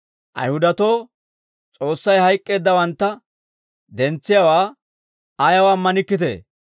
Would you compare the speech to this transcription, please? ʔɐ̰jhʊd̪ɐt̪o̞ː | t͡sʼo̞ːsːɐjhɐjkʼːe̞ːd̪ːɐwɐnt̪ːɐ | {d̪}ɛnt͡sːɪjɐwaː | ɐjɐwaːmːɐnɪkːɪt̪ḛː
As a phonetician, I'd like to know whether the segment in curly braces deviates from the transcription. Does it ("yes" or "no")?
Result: no